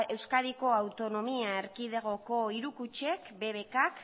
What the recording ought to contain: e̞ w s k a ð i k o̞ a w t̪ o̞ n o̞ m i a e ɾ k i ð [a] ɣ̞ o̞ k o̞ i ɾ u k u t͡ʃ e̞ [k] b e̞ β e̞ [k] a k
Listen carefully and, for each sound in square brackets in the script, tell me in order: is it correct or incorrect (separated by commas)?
incorrect, correct, correct